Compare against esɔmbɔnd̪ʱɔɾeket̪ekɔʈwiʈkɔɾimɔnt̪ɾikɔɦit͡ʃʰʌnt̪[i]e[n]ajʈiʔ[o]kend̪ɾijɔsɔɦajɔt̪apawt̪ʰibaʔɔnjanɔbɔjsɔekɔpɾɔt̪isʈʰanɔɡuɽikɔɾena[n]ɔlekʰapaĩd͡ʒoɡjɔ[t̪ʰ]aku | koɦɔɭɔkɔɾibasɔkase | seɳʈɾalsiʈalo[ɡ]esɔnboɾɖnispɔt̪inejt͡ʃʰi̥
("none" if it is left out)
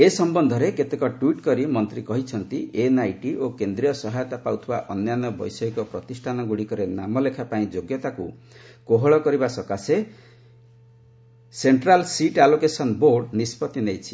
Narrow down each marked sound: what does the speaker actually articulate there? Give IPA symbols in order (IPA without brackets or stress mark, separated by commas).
i, n, o, m, t̪, k